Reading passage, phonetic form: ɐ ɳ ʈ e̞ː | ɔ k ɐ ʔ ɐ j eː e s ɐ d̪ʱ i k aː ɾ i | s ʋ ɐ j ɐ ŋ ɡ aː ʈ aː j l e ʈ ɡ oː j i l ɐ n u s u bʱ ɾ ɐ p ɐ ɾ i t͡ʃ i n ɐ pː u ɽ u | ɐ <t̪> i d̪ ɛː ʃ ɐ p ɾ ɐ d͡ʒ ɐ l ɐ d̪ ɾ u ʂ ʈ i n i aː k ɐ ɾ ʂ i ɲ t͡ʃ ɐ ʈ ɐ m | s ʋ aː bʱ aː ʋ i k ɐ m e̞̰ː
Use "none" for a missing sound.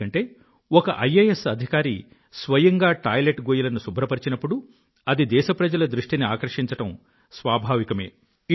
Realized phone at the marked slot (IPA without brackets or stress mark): d̪